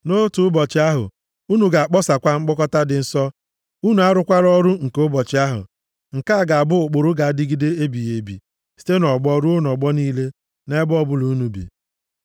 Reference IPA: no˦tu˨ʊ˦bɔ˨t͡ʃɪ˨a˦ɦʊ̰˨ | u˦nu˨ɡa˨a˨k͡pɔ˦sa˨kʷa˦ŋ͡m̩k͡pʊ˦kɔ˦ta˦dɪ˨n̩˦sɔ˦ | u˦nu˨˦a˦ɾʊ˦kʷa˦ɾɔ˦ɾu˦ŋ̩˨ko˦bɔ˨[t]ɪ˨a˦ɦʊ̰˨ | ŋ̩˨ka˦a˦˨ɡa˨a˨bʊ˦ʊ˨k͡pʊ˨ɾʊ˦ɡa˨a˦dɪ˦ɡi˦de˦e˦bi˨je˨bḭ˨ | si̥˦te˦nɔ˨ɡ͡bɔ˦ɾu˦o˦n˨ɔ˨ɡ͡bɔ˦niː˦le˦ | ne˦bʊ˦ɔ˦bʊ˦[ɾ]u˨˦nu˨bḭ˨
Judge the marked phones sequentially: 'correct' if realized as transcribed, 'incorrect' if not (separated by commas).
incorrect, incorrect